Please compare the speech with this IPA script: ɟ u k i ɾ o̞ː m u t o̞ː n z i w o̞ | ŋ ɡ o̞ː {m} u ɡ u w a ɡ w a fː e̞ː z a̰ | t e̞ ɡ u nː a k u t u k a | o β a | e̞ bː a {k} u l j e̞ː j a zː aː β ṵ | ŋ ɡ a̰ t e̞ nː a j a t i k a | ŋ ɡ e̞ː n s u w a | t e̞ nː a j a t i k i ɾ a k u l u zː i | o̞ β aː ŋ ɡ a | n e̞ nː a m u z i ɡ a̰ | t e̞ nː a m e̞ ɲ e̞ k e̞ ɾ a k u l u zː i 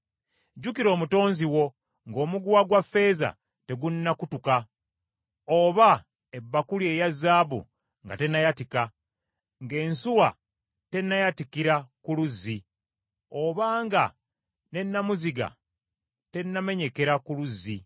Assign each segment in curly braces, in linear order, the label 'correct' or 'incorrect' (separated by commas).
correct, correct